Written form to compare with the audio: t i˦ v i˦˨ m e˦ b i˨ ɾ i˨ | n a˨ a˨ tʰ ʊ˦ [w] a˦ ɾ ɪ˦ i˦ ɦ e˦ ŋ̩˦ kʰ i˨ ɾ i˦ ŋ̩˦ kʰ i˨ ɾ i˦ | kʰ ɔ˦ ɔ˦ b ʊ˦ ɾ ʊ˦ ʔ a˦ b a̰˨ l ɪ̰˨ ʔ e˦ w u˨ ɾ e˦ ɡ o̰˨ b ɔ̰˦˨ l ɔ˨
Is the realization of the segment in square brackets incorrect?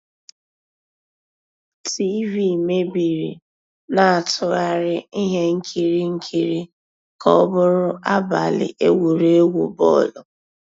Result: yes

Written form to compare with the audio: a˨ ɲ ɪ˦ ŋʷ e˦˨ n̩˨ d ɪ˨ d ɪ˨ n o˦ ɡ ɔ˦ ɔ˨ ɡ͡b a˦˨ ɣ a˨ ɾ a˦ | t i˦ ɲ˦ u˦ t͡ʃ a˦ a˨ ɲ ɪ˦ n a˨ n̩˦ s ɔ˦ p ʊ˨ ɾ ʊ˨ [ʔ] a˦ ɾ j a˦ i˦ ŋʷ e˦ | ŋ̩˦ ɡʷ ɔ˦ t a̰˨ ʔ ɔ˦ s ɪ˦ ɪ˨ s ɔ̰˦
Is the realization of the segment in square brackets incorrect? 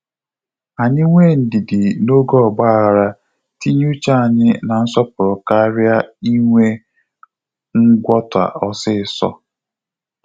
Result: yes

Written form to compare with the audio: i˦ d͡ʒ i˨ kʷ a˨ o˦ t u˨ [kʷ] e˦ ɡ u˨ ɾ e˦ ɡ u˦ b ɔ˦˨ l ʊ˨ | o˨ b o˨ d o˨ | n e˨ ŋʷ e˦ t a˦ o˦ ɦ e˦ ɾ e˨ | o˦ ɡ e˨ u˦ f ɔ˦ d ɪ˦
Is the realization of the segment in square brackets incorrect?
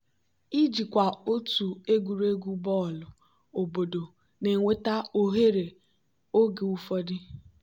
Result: yes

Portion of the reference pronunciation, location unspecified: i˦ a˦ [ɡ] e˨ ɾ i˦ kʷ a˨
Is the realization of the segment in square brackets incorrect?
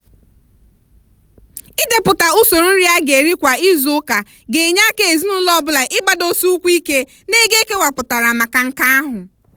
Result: no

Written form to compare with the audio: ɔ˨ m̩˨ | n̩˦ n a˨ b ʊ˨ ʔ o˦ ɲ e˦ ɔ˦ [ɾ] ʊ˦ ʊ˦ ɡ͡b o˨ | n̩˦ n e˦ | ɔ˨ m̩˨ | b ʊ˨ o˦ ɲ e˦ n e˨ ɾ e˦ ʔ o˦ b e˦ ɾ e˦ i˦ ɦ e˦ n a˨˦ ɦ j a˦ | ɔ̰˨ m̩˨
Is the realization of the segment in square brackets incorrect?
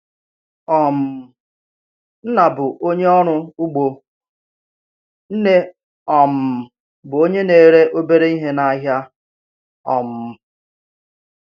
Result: no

